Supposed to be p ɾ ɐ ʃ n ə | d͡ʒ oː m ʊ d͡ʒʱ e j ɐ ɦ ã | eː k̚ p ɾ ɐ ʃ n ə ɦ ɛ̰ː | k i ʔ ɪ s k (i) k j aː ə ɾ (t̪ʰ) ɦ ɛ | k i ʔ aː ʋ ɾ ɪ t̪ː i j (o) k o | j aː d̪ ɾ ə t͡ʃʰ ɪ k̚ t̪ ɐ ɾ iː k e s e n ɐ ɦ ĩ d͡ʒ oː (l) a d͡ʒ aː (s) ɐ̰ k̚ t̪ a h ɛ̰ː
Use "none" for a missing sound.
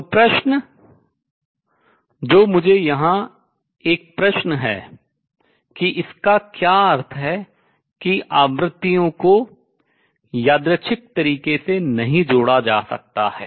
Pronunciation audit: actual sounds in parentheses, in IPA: a, t̪ʰ, õ, ɽ, s

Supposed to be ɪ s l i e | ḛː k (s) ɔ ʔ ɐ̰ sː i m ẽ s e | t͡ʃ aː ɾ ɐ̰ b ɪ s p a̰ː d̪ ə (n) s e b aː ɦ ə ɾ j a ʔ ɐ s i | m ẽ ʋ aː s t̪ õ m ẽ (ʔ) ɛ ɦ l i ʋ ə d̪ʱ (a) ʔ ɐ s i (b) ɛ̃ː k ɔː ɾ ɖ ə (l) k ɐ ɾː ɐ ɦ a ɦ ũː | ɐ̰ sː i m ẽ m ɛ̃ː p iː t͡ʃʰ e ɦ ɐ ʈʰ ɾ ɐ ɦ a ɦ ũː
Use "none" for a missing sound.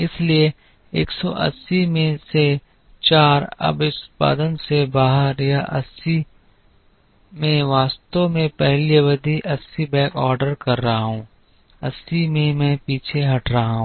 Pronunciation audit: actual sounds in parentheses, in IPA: s, n, p, i, b, ɾ

